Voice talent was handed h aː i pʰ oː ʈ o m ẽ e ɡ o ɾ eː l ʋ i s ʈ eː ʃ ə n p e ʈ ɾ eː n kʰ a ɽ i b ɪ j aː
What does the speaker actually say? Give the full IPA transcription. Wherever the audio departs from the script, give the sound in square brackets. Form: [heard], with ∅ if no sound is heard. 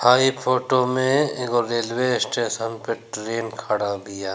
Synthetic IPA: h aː i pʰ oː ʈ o m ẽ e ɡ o ɾ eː l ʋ [e] s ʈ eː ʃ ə n p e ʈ ɾ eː n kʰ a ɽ [a] b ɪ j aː